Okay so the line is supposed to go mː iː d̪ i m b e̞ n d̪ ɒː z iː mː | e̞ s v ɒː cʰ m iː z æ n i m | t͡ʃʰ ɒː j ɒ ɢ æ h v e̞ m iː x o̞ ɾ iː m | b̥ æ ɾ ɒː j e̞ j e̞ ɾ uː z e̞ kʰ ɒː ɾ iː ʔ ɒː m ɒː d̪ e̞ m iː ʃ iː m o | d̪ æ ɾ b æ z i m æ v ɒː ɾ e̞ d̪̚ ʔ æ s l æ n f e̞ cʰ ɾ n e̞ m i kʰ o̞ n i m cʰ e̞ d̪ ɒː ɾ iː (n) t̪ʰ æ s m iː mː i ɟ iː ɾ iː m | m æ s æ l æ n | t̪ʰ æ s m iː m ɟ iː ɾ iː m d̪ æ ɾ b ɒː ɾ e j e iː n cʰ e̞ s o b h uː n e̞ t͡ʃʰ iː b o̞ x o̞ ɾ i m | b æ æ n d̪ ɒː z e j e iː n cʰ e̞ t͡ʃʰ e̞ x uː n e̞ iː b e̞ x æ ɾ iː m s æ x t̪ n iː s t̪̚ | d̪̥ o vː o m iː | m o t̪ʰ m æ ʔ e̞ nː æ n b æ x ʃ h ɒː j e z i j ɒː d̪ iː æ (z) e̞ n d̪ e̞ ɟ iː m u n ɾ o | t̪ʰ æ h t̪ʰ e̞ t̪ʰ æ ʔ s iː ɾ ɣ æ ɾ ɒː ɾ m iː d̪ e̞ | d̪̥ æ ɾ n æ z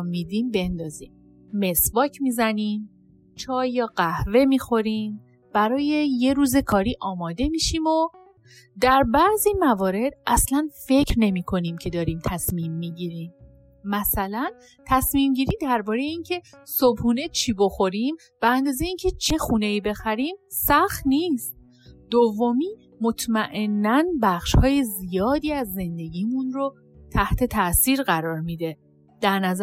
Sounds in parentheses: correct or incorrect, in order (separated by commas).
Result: incorrect, incorrect